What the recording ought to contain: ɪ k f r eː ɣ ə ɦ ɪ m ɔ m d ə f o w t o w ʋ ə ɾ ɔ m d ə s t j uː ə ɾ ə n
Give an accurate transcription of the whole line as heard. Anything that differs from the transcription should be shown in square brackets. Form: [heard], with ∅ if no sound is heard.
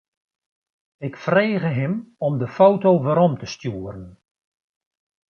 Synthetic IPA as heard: ɪ k f r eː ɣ ə ɦ ɪ m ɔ m d ə f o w t o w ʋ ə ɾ ɔ m [t] ə s t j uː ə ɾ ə n